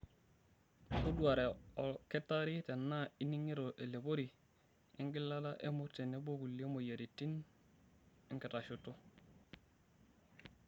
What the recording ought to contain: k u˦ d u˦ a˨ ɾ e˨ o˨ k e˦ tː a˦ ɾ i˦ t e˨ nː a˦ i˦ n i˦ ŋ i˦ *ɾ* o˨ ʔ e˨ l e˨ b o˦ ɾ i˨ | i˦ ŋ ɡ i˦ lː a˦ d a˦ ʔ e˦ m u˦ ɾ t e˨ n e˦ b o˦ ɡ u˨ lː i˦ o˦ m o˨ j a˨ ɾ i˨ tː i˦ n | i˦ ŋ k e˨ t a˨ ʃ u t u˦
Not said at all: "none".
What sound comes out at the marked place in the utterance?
ɾ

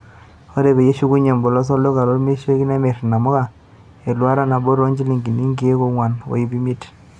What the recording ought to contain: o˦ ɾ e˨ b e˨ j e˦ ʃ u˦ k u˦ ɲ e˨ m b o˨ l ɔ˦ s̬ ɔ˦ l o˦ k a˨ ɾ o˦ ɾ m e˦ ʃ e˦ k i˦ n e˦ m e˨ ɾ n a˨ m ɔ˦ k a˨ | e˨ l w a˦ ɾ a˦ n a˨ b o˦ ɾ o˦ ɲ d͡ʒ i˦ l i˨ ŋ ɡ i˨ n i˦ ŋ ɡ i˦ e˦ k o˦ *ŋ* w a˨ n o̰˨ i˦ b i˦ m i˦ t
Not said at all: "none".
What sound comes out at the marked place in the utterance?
ŋ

